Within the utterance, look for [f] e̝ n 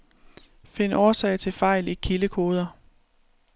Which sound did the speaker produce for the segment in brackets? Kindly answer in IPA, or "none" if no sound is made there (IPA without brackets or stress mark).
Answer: f